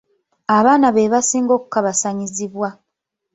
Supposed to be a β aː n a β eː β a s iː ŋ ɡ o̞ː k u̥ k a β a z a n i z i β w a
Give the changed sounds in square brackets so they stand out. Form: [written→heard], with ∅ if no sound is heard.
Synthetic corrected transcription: a β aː n a β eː β a s iː ŋ ɡ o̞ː k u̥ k a β a [z→s] a [n→ɲ] i z i β w a